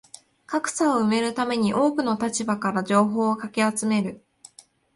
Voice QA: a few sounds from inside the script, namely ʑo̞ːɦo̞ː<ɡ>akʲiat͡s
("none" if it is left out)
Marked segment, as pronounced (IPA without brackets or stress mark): k